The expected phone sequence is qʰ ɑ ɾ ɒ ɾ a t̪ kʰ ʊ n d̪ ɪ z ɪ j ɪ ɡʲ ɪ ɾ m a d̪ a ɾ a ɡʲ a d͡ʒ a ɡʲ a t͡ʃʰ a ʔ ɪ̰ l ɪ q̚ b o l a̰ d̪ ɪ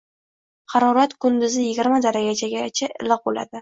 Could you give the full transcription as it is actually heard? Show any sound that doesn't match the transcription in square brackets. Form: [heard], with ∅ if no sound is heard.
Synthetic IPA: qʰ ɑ ɾ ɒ ɾ a t̪ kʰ ʊ n d̪ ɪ z ɪ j ɪ ɡʲ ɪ ɾ m a d̪ a ɾ a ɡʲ a d͡ʒ a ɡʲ a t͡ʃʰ a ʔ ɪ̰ l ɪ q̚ b o l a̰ d̪ ɪ